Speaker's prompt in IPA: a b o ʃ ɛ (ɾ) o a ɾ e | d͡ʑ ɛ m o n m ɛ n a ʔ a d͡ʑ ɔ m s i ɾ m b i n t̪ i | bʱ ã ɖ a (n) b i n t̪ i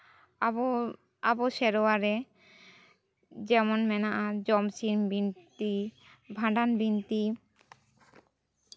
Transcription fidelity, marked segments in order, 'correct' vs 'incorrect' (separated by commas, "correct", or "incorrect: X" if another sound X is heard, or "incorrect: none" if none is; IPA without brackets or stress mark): correct, correct